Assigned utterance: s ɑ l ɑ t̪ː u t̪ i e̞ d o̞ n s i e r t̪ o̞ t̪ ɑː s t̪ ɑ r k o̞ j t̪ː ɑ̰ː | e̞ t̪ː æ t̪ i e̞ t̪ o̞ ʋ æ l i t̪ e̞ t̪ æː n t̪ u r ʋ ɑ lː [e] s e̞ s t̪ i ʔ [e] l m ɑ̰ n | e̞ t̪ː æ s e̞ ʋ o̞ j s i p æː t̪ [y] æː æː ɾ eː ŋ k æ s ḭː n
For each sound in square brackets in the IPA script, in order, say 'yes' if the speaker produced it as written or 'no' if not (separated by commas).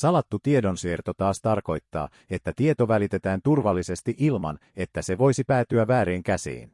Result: no, no, yes